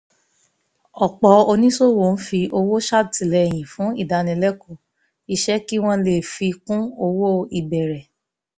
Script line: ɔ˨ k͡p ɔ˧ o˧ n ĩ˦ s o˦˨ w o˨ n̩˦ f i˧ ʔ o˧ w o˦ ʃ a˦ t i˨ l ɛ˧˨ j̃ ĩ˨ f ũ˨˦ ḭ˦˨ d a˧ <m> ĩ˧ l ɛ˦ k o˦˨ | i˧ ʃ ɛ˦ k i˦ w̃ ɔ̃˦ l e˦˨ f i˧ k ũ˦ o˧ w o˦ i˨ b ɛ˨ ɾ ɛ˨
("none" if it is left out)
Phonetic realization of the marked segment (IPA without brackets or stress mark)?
n